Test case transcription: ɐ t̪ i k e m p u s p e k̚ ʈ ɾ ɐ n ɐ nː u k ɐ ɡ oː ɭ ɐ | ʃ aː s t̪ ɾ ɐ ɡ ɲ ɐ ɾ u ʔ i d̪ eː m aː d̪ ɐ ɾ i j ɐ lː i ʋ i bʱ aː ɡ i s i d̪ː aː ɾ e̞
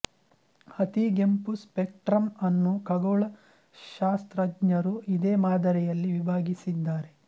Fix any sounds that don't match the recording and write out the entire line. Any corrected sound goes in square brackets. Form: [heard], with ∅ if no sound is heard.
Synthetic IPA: ɐ t̪ i [ɡ] e m p u s p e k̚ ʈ ɾ ɐ [m] ɐ nː u k ɐ ɡ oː ɭ ɐ | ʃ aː s t̪ ɾ ɐ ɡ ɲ ɐ ɾ u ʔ i d̪ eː m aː d̪ ɐ ɾ [ɛ] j ɐ lː i ʋ i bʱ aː ɡ i s i d̪ː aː ɾ e̞